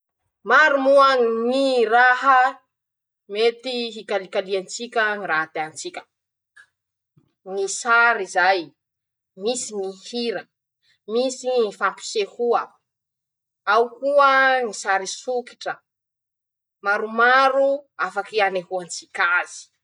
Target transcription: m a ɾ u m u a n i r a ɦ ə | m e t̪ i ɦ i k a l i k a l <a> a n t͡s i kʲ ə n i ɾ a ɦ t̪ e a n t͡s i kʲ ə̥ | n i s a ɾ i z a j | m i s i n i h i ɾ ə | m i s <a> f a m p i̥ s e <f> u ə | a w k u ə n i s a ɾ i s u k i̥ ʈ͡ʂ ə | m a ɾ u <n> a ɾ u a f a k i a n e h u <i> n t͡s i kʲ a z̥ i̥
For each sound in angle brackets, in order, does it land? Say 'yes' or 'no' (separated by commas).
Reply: no, no, no, no, no